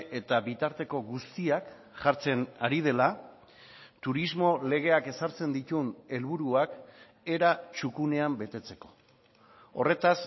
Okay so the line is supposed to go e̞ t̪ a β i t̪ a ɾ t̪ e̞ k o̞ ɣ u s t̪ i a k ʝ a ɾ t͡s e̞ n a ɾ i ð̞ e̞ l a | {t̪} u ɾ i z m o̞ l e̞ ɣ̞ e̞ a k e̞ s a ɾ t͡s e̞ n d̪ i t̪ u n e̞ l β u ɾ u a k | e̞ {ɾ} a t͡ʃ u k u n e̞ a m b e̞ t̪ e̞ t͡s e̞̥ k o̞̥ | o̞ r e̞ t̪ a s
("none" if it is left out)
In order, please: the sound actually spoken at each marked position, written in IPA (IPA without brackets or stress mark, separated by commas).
t̪, ɾ